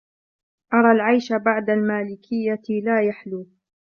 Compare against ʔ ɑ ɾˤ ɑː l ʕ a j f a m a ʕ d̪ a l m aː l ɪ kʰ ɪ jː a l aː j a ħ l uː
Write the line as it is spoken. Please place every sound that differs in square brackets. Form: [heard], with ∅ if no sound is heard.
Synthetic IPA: ʔ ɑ ɾˤ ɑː l ʕ a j [ʃ] a [b] a ʕ d̪ a l m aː l ɪ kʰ ɪ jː a l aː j a ħ l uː